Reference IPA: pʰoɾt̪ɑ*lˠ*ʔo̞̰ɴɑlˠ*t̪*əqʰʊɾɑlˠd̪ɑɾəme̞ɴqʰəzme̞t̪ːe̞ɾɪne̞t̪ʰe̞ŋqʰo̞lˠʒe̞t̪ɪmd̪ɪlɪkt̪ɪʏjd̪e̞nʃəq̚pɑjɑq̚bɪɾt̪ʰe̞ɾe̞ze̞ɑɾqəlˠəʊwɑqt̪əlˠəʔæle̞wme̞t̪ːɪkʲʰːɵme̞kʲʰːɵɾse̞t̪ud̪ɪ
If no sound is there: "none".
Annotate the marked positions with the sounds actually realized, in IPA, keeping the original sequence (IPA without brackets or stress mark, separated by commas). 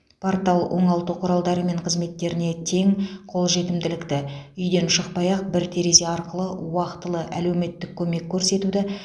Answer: lˠ, t̪